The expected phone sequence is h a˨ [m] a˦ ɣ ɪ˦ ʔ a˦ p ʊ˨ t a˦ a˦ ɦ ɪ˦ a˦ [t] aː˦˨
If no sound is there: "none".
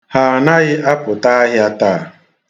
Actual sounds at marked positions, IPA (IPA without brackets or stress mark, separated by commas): n, t